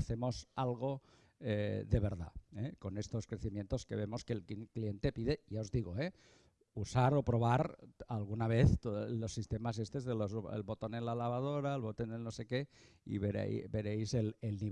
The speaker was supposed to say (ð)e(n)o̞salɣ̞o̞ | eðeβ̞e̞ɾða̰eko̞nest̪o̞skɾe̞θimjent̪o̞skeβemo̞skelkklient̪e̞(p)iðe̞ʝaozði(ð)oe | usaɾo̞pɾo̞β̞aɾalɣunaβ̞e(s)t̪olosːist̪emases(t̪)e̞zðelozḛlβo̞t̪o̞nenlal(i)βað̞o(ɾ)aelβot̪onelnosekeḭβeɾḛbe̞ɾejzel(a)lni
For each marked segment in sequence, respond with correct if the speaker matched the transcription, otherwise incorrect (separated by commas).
incorrect, incorrect, correct, incorrect, incorrect, correct, incorrect, correct, incorrect